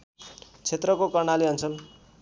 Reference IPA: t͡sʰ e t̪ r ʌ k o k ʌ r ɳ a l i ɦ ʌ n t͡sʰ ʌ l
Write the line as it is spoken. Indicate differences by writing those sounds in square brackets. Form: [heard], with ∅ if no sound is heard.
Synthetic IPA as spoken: t͡sʰ e t̪ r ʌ k o k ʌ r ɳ a l i ɦ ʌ n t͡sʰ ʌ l